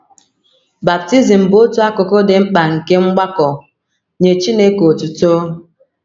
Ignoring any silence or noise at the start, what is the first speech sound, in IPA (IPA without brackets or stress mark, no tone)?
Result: b